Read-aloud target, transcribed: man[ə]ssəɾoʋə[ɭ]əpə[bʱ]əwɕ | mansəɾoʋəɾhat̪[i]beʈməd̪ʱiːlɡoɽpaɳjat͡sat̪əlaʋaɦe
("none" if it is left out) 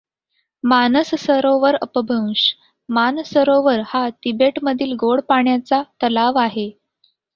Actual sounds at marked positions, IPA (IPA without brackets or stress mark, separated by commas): ə, ɾ, bʱ, i